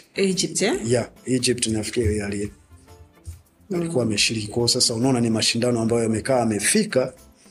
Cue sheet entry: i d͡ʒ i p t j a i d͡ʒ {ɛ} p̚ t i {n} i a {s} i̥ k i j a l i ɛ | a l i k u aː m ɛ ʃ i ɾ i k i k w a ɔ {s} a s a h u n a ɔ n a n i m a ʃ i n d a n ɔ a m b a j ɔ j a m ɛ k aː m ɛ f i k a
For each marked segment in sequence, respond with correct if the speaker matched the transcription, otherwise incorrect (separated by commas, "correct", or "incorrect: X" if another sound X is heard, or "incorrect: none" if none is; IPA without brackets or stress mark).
incorrect: i, correct, incorrect: f, correct